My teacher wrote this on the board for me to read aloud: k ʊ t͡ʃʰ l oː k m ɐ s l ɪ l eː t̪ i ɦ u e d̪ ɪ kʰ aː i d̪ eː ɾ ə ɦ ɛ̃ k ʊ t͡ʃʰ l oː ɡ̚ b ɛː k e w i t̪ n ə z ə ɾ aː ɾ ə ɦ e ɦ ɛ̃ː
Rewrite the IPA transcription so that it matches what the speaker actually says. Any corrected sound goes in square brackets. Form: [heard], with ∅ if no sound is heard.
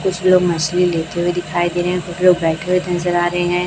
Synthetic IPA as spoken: k ʊ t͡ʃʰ l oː [ɡ] m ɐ s l [i] l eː t̪ [e] ɦ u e d̪ ɪ kʰ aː i d̪ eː ɾ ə ɦ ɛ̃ k ʊ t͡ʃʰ l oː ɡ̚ b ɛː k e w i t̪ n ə z ə ɾ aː ɾ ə ɦ e ɦ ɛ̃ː